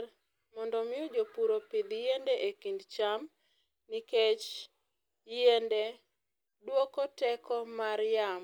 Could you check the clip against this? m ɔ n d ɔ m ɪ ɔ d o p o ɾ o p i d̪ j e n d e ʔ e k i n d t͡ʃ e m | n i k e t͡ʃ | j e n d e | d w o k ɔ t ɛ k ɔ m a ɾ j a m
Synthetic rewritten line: m ɔ n d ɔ m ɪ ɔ d͡ʒ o p u ɾ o p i d̪ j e n d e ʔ e k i n d t͡ʃ a m | n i k e t͡ʃ | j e n d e | d w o k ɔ t ɛ k ɔ m a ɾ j a m